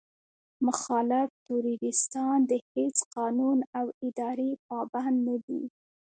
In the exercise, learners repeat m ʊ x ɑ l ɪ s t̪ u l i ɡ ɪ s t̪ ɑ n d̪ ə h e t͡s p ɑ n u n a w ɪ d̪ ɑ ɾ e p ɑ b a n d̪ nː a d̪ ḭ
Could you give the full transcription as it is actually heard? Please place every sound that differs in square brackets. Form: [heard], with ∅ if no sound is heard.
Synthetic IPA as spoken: m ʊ x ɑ l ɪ [f] t̪ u [ɾ] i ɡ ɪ s t̪ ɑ n d̪ ə h e t͡s [q] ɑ n u n a w ɪ d̪ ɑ ɾ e p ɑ b a n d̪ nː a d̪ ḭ